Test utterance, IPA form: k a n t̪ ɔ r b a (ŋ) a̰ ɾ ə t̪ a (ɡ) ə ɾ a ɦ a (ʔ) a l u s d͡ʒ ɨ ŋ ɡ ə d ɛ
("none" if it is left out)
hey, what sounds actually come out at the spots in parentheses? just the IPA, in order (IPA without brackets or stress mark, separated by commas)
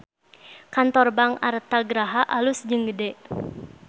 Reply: ŋ, ɡ, ʔ